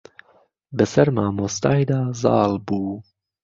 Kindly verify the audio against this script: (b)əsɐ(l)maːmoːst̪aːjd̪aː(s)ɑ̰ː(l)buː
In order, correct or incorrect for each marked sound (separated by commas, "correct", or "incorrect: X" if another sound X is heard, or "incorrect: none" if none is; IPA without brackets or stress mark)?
correct, incorrect: ɾ, incorrect: z, correct